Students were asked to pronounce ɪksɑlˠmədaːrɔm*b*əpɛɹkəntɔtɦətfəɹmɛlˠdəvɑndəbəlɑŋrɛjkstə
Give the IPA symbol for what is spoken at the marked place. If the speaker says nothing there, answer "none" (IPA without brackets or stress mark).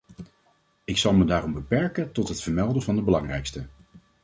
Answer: b